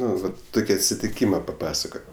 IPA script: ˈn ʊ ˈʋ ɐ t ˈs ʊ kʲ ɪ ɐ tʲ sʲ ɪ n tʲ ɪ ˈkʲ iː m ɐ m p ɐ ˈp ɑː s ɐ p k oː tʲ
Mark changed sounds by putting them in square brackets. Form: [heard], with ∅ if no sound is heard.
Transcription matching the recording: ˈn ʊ ˈʋ ɐ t [ˈt] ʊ kʲ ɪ ɐ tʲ sʲ ɪ [∅] tʲ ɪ ˈkʲ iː m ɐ [∅] p ɐ ˈp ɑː s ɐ [∅] k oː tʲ